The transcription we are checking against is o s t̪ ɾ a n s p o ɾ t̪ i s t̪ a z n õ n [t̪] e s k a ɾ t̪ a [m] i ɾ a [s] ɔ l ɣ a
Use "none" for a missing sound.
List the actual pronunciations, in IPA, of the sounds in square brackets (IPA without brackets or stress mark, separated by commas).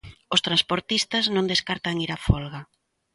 d̪, ŋ, f